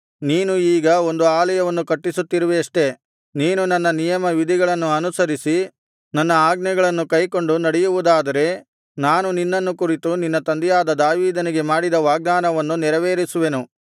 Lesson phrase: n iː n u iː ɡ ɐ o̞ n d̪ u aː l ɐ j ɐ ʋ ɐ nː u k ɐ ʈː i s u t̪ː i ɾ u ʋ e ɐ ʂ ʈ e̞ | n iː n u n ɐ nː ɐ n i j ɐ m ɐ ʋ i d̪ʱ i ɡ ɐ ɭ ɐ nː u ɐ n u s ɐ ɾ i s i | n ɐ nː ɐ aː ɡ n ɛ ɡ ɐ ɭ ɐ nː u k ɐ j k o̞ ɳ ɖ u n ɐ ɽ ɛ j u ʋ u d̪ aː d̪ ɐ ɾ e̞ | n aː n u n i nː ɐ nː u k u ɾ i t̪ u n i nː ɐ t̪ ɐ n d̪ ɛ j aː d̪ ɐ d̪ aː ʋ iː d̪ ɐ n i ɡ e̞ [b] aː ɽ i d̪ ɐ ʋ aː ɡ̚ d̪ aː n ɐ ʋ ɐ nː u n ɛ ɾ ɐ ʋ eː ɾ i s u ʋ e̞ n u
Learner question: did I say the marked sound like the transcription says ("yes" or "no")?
no